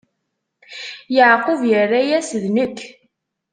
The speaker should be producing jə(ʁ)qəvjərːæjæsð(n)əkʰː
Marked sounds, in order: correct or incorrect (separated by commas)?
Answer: incorrect, correct